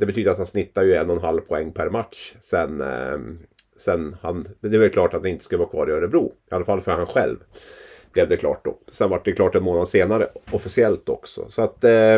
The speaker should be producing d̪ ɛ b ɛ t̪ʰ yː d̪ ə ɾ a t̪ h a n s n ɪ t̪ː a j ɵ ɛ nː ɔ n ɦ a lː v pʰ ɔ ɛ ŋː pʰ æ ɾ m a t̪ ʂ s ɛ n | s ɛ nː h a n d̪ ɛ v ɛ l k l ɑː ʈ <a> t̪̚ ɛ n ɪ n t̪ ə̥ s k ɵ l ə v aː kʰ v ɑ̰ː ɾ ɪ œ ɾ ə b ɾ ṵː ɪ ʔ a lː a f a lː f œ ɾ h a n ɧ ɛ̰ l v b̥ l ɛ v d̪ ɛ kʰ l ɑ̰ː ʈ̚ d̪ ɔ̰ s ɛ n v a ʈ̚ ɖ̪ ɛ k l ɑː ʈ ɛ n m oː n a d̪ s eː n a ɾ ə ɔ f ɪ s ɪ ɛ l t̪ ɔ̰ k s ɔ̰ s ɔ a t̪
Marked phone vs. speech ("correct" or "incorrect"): correct